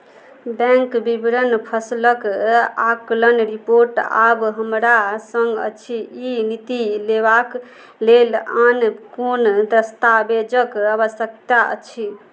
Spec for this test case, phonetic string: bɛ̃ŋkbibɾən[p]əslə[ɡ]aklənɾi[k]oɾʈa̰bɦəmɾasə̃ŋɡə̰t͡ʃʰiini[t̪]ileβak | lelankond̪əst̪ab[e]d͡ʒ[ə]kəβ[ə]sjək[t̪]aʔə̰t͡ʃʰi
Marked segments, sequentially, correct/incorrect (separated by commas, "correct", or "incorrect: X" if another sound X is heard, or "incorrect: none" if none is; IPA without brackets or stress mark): incorrect: pʰ, incorrect: k, incorrect: p, correct, correct, correct, correct, correct